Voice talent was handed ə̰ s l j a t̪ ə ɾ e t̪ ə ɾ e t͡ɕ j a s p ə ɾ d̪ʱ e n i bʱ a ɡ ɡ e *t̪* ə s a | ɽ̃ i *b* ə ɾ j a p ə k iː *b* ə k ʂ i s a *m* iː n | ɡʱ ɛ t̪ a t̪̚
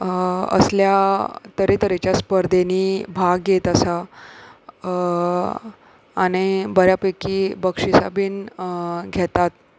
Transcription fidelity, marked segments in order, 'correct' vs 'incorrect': correct, correct, correct, incorrect: b

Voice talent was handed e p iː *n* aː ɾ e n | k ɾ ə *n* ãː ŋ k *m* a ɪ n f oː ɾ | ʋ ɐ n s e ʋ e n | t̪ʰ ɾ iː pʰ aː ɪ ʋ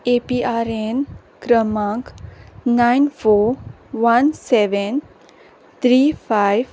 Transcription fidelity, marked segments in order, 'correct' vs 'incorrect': incorrect: none, incorrect: m, incorrect: n

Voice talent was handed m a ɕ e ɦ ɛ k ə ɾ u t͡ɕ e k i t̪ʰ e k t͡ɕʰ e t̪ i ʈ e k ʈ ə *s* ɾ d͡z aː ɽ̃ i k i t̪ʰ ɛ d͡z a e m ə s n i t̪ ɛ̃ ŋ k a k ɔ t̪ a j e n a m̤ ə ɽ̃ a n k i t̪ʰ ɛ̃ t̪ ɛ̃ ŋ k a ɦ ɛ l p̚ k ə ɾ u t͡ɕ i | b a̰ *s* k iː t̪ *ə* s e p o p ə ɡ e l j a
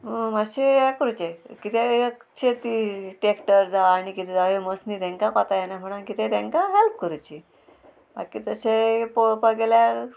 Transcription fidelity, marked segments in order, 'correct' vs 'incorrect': incorrect: none, incorrect: none, correct

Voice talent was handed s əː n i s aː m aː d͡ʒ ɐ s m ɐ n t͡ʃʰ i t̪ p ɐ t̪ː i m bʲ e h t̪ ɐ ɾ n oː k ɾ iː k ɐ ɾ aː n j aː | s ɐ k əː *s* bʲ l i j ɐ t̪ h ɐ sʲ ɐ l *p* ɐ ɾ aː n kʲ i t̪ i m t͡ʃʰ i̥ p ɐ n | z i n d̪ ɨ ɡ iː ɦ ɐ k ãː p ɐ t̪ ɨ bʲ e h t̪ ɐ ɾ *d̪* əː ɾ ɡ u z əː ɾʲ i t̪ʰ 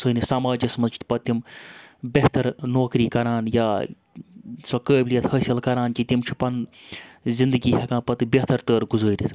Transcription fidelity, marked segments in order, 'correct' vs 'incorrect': incorrect: none, incorrect: k, incorrect: t̪

